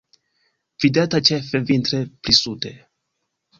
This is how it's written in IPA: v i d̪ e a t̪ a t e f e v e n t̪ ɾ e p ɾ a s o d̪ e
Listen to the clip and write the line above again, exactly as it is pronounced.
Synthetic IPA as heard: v i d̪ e a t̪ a t͡ʃ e f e v i n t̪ ɾ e p ɾ i s u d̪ e